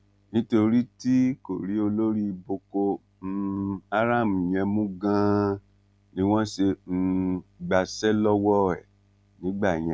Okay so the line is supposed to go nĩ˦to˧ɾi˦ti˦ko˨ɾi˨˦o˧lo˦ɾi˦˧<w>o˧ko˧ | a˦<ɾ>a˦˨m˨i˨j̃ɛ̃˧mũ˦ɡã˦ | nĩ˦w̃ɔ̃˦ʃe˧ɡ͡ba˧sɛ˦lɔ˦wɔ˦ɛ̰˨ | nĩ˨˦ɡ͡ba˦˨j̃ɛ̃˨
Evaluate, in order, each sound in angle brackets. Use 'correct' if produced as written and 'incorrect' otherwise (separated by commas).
incorrect, correct